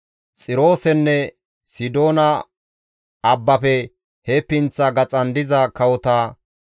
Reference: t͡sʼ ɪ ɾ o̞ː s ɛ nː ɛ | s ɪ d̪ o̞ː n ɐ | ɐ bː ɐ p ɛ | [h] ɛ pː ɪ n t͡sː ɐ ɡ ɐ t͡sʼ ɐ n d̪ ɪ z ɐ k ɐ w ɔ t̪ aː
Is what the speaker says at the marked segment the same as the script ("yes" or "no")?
yes